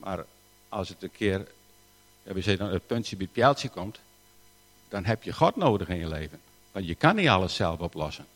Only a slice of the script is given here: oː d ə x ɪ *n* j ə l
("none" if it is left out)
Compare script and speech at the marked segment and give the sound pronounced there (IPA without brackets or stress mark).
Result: n